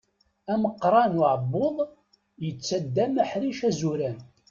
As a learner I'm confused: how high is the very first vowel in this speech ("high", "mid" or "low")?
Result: low